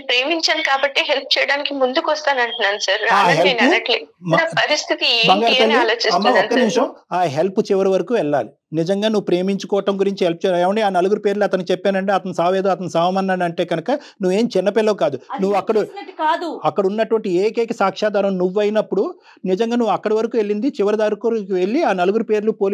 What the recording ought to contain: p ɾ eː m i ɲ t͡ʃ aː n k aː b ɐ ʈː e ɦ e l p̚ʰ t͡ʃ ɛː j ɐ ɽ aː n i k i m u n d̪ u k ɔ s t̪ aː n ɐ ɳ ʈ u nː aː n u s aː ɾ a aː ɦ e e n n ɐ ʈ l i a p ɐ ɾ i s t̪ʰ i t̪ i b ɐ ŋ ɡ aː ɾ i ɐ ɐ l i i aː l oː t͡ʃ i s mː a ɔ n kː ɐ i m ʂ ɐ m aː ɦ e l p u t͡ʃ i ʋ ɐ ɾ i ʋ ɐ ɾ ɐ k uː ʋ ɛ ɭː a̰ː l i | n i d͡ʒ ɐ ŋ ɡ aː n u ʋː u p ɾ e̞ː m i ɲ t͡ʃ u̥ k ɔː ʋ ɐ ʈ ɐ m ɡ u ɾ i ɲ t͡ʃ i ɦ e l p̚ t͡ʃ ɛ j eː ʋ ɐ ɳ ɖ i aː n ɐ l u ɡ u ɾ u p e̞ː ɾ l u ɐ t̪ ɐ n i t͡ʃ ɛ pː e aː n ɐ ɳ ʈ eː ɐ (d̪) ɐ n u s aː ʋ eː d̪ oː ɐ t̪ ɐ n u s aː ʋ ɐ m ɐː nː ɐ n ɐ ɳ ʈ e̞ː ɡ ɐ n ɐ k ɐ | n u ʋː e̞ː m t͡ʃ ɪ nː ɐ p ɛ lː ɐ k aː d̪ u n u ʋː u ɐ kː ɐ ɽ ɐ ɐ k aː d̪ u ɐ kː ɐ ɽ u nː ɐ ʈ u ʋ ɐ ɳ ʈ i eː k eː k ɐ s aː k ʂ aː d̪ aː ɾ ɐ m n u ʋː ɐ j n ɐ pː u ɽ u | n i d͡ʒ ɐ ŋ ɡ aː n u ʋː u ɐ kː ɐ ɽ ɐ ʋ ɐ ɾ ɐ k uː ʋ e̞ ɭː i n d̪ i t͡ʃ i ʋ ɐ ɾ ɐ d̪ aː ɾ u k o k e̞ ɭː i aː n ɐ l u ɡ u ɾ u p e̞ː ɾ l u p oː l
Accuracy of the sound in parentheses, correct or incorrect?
incorrect